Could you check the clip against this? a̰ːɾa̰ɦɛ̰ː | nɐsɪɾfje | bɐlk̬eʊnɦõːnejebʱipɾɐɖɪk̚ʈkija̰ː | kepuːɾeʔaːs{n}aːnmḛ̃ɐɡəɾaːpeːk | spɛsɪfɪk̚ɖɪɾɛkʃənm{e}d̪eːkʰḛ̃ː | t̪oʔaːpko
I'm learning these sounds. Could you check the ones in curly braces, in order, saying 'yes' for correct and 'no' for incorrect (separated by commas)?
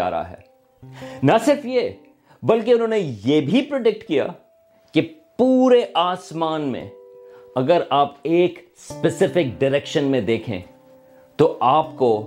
no, no